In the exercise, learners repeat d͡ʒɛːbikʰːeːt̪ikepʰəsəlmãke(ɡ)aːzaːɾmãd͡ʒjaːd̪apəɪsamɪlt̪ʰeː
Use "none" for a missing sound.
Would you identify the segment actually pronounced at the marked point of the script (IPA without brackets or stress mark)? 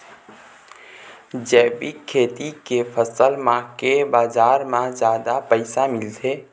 b